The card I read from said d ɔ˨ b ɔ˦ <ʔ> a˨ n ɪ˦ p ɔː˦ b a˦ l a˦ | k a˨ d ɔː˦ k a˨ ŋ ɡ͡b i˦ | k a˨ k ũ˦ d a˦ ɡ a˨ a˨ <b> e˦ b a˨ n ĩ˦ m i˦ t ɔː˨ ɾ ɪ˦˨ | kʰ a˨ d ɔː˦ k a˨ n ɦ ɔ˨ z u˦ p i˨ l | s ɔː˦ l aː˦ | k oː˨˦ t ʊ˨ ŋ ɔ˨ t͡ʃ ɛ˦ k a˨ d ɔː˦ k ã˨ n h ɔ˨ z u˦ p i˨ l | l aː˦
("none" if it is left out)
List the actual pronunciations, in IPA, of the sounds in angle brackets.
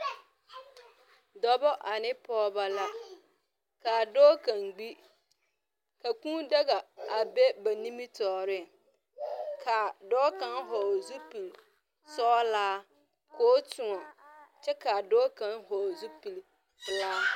ʔ, b

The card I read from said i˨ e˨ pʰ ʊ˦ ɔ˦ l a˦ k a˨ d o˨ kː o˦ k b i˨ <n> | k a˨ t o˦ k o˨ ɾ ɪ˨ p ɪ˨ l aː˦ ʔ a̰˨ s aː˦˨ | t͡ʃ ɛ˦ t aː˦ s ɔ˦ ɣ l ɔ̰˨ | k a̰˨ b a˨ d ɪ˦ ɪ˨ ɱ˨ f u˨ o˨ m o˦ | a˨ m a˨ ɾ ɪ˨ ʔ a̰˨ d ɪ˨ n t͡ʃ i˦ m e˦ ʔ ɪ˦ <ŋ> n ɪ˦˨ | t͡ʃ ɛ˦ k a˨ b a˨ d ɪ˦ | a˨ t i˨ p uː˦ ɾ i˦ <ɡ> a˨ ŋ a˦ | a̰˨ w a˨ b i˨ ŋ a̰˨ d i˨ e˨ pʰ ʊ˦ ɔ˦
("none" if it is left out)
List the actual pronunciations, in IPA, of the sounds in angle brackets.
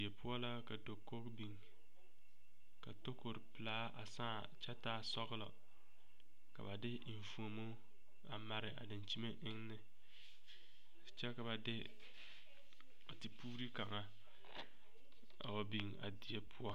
ŋ, ŋ, k

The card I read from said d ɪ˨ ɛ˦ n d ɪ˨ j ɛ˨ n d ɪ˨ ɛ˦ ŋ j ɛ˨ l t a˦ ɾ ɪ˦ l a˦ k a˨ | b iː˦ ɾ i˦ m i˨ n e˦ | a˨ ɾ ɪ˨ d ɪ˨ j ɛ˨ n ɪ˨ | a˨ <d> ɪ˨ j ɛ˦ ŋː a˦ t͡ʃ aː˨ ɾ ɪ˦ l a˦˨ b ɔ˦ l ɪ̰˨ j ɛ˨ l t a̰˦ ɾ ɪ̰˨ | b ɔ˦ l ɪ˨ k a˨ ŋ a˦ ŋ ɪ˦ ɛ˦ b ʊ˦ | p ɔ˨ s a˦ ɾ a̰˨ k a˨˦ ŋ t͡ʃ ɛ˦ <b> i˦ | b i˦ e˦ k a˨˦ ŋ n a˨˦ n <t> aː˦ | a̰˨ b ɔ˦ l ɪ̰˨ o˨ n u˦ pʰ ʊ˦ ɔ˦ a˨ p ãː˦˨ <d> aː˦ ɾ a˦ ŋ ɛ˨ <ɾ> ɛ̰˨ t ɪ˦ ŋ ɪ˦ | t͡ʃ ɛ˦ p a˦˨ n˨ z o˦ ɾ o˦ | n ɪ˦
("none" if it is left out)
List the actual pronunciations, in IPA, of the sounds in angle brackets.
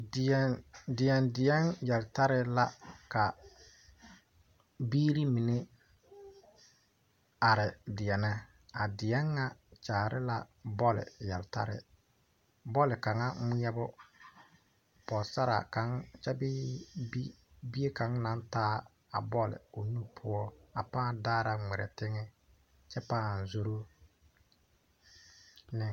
d, b, t, d, ɾ

